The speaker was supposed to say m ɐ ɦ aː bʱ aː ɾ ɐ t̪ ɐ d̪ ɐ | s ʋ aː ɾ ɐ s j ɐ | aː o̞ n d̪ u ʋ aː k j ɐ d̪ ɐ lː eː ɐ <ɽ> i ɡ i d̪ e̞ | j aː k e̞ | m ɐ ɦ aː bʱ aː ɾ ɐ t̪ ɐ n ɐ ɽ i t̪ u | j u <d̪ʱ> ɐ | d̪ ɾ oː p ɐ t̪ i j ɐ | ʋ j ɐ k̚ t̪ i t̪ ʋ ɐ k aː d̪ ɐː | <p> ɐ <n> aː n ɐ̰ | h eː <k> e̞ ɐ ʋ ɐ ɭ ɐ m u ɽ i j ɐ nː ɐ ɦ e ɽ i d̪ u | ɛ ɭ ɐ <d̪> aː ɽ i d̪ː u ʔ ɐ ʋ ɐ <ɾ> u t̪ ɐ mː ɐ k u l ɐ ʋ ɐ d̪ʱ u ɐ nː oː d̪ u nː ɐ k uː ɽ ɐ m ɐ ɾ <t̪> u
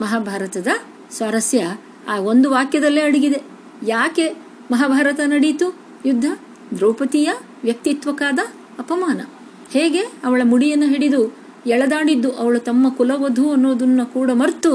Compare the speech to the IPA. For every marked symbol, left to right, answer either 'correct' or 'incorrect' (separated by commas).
correct, incorrect, correct, incorrect, incorrect, correct, incorrect, correct